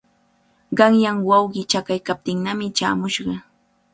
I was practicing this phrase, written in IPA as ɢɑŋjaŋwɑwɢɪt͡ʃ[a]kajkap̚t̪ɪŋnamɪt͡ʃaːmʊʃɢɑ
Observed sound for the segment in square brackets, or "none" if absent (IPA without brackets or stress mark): a